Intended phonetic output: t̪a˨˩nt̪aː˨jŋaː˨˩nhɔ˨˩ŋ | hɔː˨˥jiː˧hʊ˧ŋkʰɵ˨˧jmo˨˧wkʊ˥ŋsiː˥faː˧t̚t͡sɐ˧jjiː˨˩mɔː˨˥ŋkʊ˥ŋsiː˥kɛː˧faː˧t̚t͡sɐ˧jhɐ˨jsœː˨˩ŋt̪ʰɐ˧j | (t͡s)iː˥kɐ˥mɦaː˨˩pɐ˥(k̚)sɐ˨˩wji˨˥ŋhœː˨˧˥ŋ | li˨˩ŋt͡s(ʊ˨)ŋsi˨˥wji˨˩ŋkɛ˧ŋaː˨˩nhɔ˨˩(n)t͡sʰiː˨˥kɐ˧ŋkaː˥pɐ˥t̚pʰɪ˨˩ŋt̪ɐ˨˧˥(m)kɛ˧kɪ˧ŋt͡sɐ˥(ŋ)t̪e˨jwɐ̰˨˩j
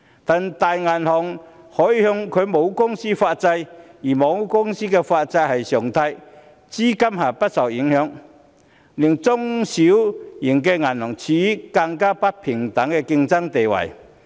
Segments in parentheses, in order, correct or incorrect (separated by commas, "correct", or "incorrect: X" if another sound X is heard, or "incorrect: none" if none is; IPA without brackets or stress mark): correct, incorrect: t̚, incorrect: ʊ˥, incorrect: ŋ, incorrect: ŋ, correct